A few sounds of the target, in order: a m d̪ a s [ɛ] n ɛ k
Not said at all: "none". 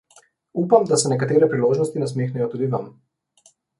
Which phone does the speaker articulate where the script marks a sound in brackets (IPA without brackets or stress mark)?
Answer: ɛ